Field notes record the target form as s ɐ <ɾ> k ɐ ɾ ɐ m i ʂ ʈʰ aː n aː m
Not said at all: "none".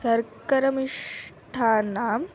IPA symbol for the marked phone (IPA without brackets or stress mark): ɾ